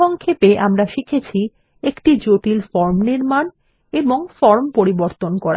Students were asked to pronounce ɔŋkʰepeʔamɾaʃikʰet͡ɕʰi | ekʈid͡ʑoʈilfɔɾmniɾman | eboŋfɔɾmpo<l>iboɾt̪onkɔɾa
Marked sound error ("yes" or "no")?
yes